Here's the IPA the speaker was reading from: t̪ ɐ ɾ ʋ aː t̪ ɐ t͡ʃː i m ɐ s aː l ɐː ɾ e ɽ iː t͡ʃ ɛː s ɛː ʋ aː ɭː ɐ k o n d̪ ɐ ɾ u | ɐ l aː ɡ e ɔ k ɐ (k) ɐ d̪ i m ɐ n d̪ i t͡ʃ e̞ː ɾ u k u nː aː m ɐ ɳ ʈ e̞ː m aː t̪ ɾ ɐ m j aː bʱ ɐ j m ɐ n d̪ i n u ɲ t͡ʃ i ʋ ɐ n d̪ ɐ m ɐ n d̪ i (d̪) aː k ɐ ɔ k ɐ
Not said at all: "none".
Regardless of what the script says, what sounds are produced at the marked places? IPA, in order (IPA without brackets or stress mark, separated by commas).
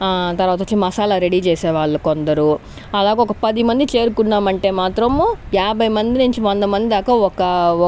p, d̪